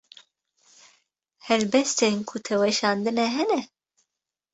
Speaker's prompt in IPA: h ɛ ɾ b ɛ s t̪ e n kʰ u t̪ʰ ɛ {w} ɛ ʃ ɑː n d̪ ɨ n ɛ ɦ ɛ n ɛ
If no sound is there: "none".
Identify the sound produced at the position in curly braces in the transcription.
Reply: w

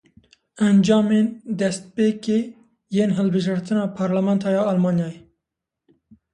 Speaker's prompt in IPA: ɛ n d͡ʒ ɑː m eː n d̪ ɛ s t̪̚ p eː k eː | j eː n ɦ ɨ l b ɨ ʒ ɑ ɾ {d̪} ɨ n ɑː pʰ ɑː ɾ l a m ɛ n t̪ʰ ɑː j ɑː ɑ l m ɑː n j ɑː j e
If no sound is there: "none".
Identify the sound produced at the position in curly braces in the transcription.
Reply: t̪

